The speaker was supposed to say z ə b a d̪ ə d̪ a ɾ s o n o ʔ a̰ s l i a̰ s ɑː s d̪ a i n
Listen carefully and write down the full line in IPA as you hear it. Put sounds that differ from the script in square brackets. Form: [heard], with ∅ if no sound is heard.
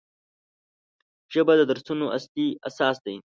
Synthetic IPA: [ʒ] ə b a d̪ ə d̪ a ɾ s [u] n o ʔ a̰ s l i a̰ s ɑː s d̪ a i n